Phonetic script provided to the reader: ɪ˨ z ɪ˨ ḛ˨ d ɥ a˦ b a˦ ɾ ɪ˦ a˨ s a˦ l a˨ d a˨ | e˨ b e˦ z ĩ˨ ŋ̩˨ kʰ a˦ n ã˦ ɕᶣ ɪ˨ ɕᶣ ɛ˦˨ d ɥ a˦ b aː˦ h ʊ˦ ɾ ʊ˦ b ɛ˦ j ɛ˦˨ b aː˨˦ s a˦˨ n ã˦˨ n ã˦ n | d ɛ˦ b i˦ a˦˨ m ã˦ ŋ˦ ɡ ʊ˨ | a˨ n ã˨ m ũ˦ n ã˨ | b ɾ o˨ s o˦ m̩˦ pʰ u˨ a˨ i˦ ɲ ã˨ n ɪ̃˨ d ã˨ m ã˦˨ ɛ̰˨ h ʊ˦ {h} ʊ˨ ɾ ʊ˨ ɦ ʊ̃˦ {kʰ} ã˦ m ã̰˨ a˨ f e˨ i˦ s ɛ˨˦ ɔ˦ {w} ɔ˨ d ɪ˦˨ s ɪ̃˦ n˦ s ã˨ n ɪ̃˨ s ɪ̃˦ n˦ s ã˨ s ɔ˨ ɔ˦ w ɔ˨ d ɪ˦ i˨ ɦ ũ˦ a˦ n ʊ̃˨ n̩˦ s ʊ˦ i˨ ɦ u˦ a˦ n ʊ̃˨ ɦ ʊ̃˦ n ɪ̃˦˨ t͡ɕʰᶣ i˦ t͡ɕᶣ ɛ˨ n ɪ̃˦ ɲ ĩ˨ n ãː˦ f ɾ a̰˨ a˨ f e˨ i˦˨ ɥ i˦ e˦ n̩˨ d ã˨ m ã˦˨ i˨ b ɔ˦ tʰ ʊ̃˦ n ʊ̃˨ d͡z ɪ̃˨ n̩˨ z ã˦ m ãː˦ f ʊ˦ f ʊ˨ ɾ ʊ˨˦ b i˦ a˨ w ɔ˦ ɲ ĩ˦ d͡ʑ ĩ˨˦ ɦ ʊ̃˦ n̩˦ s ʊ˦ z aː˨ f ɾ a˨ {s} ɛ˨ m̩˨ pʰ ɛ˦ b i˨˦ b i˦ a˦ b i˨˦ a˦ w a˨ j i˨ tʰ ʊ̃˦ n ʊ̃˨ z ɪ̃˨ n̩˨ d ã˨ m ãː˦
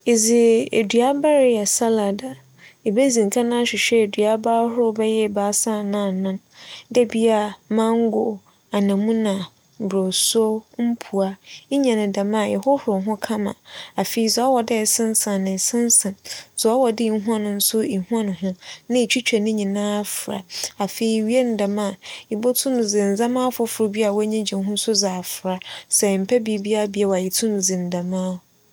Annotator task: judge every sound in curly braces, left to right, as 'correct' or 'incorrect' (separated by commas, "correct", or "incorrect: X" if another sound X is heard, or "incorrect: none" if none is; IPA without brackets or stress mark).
correct, correct, correct, correct